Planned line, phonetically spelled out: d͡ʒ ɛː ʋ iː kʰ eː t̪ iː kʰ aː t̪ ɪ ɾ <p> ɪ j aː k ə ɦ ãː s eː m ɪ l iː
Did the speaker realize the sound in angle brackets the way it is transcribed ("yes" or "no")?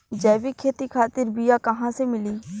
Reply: no